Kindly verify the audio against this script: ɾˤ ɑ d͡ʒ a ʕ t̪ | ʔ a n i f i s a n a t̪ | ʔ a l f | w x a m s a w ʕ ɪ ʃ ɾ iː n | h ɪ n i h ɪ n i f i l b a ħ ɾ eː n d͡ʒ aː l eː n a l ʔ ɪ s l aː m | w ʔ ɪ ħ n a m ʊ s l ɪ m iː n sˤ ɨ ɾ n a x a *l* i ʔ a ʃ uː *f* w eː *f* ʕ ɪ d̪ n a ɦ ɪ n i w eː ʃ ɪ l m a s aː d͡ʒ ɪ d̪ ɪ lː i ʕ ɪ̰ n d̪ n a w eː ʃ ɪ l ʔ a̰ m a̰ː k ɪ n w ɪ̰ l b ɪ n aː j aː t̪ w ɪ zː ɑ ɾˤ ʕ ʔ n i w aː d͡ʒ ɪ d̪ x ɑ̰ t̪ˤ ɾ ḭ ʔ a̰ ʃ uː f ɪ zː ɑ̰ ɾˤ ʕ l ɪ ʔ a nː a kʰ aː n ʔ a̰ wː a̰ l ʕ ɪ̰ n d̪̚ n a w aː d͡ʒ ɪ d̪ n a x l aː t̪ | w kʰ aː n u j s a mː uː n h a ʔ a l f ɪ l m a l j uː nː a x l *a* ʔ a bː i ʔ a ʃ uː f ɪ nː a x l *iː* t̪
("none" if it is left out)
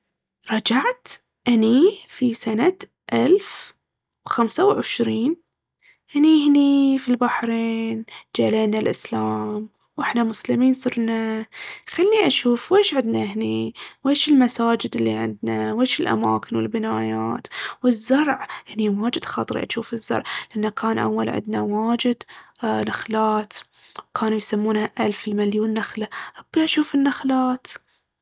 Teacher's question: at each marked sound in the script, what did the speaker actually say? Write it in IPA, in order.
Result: lː, f, ʃ, a, aː

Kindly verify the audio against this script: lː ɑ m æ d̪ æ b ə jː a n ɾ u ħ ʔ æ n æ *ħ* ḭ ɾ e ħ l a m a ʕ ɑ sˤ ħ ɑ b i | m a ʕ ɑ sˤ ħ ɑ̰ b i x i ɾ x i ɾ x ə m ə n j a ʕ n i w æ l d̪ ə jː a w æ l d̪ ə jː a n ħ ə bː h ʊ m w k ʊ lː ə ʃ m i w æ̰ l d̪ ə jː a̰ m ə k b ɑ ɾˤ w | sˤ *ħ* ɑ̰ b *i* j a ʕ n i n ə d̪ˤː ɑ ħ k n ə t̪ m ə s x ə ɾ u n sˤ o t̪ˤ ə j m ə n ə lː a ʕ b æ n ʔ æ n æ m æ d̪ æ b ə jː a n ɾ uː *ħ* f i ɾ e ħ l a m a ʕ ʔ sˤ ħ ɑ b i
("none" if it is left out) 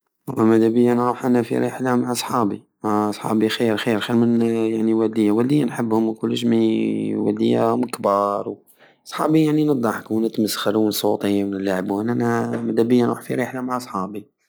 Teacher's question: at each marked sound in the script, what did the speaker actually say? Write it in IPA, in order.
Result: f, ħ, i, ħ

